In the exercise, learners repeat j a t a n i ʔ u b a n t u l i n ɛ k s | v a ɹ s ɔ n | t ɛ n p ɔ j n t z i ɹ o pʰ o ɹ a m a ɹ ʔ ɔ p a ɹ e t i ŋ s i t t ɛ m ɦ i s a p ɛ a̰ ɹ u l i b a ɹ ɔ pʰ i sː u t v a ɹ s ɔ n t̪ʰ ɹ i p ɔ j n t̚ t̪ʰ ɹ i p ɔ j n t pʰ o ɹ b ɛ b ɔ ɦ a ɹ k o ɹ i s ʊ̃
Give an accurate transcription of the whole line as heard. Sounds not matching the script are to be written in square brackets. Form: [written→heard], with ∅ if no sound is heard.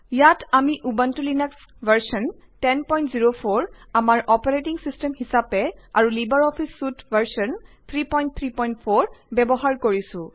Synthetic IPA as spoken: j a t a [n→m] i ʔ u b a n t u l i n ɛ k s | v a ɹ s ɔ n | t ɛ n p ɔ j n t z i ɹ o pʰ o ɹ a m a ɹ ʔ ɔ p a ɹ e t i ŋ s i [t→s] t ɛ m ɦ i s a p ɛ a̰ ɹ u l i b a ɹ ɔ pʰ i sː u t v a ɹ s ɔ n t̪ʰ ɹ i p ɔ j n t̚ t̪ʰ ɹ i p ɔ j n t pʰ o ɹ b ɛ b ɔ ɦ a ɹ k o ɹ i s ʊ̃